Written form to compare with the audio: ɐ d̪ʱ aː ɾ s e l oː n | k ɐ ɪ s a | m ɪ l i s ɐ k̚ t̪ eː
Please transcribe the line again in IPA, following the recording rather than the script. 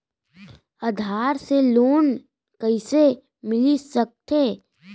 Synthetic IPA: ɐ d̪ʱ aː ɾ s e l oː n | k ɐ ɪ s e | m ɪ l i s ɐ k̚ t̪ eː

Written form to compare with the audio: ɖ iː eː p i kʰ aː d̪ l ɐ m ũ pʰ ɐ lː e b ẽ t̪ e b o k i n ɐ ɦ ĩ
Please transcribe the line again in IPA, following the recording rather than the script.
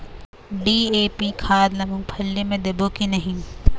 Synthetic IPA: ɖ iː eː p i kʰ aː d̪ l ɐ m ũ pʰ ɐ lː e m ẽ d̪ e b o k i n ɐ ɦ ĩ

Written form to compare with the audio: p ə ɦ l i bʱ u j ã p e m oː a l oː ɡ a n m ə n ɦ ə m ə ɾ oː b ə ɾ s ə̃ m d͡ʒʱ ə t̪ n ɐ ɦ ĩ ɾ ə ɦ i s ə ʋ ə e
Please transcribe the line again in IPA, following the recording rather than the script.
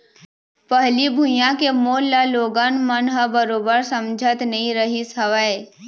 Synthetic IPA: p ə ɦ l i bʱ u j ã k e m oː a l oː ɡ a n m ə n ɦ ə b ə ɾ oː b ə ɾ s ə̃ m d͡ʒʱ ə t̪ n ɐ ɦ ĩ ɾ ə ɦ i s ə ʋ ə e

